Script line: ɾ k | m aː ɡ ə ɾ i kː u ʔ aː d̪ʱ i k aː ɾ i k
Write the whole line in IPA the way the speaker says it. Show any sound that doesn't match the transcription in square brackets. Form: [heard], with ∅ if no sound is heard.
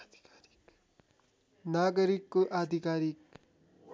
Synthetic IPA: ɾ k | [n] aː ɡ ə ɾ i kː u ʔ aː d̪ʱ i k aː ɾ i k

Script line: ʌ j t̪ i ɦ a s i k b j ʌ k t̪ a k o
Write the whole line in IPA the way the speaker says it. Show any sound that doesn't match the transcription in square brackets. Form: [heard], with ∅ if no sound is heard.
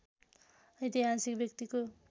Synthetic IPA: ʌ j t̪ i ɦ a s i k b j ʌ k t̪ [i] k o

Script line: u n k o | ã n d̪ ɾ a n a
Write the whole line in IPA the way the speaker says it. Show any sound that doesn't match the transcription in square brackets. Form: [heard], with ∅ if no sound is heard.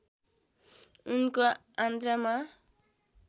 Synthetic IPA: u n k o | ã n d̪ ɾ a [m] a

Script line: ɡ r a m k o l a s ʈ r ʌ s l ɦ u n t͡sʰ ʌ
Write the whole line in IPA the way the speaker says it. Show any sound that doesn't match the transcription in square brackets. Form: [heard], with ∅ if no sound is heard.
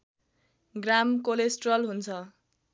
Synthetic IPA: ɡ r a m k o l [e] s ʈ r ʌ [∅] l ɦ u n t͡sʰ ʌ

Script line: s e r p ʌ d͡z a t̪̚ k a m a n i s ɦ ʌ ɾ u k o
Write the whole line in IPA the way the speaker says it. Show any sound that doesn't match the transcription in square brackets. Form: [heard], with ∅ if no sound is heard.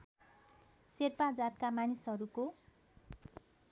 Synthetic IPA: s e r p [a] d͡z a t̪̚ k a m a n i s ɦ ʌ ɾ u k o

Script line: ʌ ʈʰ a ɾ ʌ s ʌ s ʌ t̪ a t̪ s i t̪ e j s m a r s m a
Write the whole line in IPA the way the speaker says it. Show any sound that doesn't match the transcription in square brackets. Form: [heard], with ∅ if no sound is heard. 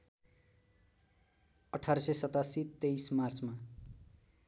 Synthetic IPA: ʌ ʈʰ a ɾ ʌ s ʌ s ʌ t̪ a [∅] s i t̪ e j s m a r [t͡s] m a

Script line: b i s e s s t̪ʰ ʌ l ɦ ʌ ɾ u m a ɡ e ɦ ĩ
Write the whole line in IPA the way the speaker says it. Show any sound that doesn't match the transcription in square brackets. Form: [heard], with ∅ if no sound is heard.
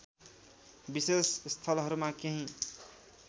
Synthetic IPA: b i s e s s t̪ʰ ʌ l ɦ ʌ ɾ u m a [k] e ɦ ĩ

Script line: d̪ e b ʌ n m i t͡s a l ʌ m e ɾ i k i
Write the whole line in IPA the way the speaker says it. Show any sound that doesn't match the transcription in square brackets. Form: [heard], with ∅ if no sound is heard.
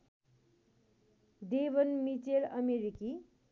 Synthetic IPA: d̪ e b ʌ n m i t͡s [e] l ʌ m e ɾ i k i

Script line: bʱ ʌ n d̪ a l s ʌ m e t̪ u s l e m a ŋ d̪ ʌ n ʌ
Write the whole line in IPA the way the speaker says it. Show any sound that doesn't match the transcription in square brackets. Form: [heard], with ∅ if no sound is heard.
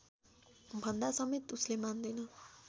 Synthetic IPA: bʱ ʌ n d̪ a [∅] s ʌ m e t̪ u s l e m a [n] d̪ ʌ n ʌ

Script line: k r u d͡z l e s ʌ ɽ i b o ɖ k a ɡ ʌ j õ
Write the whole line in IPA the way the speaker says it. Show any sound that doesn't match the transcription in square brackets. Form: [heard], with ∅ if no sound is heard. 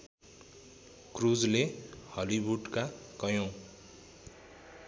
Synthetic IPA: k r u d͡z l e [h] ʌ [l] i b [u] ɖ k a [k] ʌ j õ

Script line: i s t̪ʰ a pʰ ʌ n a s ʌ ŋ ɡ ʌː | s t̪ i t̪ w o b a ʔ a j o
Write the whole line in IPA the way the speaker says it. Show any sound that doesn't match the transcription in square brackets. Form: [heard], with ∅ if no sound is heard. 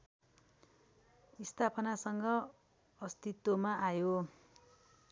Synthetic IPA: i s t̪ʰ a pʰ ʌ n a s ʌ ŋ ɡ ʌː | s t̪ i t̪ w o [m] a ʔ a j o

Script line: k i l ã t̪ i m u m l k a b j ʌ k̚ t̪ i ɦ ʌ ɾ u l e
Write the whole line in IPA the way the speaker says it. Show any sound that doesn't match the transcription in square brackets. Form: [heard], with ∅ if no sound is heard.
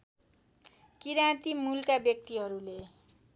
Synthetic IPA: k i [ɾ] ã t̪ i m u [∅] l k a b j ʌ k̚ t̪ i ɦ ʌ ɾ u l e

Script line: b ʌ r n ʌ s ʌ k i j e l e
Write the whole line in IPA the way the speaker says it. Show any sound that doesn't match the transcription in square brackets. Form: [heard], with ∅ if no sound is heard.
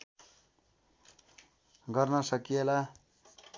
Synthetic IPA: [ɡ] ʌ r n ʌ s ʌ k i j e l [a]

